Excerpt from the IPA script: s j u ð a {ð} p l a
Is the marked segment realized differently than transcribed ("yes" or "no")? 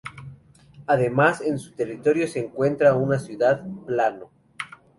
no